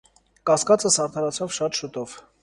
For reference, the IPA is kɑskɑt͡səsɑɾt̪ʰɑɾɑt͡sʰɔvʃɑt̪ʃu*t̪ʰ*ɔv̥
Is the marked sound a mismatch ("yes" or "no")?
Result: yes